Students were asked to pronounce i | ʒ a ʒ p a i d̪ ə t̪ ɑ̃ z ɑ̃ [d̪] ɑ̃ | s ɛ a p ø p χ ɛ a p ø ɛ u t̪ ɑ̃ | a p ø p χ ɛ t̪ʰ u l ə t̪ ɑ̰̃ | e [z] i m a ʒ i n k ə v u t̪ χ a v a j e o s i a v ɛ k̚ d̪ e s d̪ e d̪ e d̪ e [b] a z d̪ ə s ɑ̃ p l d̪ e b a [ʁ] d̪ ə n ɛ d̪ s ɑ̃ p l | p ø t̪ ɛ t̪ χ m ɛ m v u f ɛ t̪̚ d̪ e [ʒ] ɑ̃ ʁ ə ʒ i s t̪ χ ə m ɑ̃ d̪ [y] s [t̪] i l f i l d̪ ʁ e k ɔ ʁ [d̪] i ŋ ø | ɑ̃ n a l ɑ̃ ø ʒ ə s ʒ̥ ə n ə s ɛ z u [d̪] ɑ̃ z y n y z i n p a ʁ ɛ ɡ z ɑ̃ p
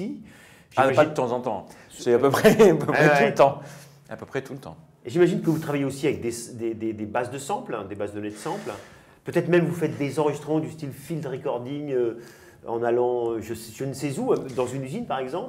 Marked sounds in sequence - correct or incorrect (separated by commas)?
incorrect, incorrect, correct, incorrect, incorrect, correct, correct, correct, correct